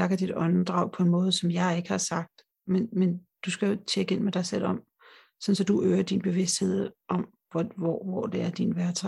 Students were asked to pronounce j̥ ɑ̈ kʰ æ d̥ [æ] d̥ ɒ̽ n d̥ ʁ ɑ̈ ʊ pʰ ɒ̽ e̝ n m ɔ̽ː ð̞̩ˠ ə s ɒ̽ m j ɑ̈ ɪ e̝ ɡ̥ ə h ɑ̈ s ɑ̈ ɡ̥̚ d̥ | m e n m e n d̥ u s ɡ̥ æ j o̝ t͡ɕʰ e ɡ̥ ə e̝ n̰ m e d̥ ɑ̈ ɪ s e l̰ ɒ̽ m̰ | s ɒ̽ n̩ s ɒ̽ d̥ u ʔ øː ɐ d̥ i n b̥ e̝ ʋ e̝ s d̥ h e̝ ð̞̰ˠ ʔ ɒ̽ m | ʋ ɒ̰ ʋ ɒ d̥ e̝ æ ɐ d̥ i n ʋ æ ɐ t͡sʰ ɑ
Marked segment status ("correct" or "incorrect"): incorrect